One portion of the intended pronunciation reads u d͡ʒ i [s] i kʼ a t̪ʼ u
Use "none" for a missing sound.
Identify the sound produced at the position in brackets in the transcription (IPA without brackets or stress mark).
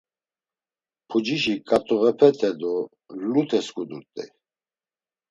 ʃ